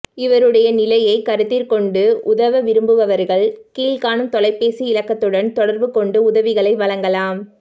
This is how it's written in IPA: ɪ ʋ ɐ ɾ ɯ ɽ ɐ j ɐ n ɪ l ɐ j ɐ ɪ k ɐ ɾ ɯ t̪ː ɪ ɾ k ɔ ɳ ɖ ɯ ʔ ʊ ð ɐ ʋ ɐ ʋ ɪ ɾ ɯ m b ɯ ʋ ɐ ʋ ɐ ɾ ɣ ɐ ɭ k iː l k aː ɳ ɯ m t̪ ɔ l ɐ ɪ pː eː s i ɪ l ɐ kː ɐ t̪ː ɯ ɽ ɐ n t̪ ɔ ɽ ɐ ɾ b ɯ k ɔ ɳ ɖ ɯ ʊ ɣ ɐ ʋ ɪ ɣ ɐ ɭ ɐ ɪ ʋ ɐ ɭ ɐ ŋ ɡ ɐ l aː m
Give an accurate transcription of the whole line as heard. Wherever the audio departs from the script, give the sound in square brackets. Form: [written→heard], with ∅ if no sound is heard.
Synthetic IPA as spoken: ɪ ʋ ɐ ɾ ɯ ɽ ɐ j ɐ n ɪ l ɐ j ɐ ɪ k ɐ ɾ ɯ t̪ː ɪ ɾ k ɔ ɳ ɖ ɯ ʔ ʊ ð ɐ ʋ ɐ ʋ ɪ ɾ ɯ m b ɯ ʋ ɐ ʋ ɐ ɾ ɣ ɐ ɭ k iː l k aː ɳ ɯ m t̪ ɔ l ɐ ɪ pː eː s i ɪ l ɐ kː ɐ t̪ː ɯ ɽ ɐ n t̪ ɔ ɽ ɐ ɾ b ɯ k ɔ ɳ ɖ ɯ ʊ [ɣ→ð] ɐ ʋ ɪ ɣ ɐ ɭ ɐ ɪ ʋ ɐ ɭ ɐ ŋ ɡ ɐ l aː m